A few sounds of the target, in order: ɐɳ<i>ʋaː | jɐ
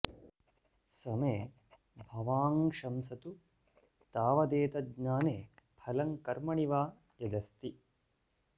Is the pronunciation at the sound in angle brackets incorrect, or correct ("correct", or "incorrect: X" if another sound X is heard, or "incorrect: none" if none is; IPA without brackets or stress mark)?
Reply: correct